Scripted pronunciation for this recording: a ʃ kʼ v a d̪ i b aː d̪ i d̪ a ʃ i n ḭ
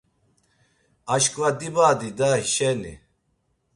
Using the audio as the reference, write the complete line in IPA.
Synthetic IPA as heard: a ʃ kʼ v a d̪ i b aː d̪ i d̪ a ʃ ɛ n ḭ